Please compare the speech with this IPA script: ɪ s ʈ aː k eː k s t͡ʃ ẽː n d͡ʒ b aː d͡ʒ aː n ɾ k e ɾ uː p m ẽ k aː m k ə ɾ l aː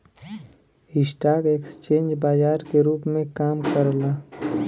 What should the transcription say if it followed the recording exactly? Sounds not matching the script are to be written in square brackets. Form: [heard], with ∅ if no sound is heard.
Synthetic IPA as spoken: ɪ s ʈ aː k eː k s t͡ʃ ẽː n d͡ʒ b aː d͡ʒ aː [∅] ɾ k e ɾ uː p m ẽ k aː m k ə ɾ l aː

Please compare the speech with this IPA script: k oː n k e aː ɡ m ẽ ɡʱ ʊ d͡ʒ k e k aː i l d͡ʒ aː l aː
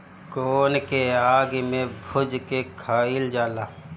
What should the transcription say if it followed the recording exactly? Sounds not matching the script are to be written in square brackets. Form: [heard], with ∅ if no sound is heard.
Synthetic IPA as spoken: k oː n k e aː ɡ m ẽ [bʱ] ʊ d͡ʒ k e [kʰ] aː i l d͡ʒ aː l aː

